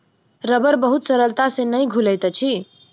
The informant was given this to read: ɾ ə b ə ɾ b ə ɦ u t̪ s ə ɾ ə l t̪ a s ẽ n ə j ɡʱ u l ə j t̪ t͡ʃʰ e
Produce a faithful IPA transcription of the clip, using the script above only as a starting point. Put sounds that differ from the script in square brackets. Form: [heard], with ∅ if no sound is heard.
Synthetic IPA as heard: ɾ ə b ə ɾ b ə ɦ u t̪ s ə ɾ ə l t̪ a s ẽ n ə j ɡʱ u l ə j t̪ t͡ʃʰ [i]

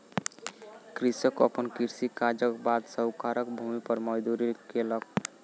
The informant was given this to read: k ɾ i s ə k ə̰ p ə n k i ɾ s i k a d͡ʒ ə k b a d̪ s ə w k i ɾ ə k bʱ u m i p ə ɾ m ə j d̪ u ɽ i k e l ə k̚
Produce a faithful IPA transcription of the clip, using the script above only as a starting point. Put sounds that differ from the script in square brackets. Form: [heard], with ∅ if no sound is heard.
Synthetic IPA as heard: k ɾ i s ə k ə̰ p ə n k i ɾ s i k a d͡ʒ ə k b a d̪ s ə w k [a] ɾ ə k bʱ u m i p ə ɾ m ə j d̪ u [ɾ] i k e l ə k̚

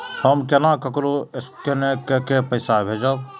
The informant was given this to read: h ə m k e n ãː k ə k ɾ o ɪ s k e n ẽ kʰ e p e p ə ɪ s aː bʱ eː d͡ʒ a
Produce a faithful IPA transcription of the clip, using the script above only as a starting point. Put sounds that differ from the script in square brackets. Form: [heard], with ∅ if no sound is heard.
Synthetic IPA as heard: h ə m k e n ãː k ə k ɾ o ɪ s k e n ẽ [k] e [k] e p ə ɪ s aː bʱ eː d͡ʒ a

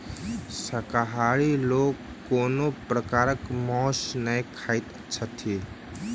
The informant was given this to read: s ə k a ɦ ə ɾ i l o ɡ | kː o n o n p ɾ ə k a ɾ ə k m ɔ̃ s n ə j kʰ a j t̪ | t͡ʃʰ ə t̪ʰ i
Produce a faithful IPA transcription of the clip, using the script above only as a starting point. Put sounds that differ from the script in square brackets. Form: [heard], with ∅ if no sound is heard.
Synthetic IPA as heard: s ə k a ɦ [a] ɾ i l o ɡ | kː o n o [∅] p ɾ ə k a ɾ ə k m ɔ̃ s n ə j kʰ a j t̪ | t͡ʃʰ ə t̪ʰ i

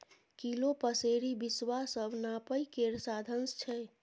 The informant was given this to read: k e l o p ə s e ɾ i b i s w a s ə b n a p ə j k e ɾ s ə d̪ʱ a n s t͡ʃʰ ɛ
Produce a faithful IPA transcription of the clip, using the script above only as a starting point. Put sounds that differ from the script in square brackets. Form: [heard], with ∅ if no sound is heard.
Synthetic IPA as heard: k [i] l o p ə s e ɾ i b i s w a s ə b n a p ə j k e ɾ s [a] d̪ʱ [ə] n s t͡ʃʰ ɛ

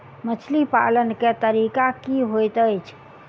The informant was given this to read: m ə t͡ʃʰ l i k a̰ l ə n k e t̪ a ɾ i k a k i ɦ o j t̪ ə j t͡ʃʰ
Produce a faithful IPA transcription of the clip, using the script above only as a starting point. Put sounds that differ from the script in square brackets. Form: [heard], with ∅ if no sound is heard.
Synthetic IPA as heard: m ə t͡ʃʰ l i [p] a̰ l ə n k e t̪ [ə] ɾ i k a k i ɦ o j t̪ ə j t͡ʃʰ

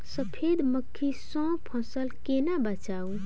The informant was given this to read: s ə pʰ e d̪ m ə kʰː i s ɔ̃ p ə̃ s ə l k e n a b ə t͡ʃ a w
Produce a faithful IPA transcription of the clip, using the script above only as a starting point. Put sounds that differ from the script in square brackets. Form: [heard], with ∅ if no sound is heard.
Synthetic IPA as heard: s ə pʰ e d̪ m ə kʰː i s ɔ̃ [pʰ] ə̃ s ə l k e n a b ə t͡ʃ a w

